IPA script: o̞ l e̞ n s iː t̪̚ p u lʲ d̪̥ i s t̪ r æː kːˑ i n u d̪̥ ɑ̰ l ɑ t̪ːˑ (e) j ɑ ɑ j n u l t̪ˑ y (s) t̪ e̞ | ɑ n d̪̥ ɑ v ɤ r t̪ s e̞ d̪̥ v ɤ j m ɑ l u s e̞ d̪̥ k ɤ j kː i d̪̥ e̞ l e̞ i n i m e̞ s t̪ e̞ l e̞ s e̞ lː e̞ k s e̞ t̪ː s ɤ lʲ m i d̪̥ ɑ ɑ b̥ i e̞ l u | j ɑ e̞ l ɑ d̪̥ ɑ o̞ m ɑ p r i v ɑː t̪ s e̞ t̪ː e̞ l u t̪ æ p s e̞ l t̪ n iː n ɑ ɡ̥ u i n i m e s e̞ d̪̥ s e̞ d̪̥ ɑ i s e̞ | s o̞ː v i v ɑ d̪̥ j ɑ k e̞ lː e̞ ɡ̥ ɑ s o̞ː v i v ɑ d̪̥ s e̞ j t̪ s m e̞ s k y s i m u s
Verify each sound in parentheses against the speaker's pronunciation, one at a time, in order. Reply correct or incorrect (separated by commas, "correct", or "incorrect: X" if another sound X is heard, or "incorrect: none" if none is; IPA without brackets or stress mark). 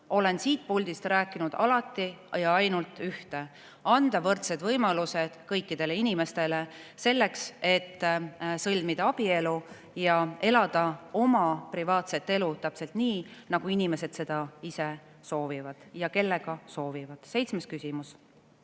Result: incorrect: i, incorrect: h